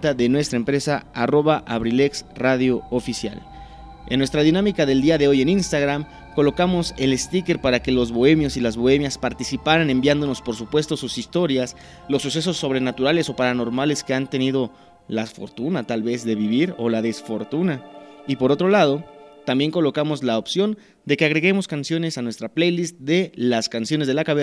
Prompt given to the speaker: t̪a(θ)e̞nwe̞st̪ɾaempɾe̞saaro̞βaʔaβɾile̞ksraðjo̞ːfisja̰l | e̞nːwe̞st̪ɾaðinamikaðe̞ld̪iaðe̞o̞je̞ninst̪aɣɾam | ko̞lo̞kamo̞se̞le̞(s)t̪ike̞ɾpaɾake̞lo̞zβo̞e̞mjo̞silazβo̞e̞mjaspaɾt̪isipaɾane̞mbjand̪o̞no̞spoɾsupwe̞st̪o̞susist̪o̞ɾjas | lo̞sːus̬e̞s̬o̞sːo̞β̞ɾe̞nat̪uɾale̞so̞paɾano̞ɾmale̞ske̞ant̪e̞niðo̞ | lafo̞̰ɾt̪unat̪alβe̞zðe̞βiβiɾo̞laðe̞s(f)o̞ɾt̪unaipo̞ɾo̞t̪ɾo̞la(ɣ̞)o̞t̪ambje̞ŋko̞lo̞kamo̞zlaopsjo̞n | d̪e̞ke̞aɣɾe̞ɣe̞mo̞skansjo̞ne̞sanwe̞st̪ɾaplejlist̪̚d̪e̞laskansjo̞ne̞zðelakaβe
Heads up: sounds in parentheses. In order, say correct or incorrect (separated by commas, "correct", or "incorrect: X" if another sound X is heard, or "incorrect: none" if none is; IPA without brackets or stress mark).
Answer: incorrect: ð, correct, correct, incorrect: ð̞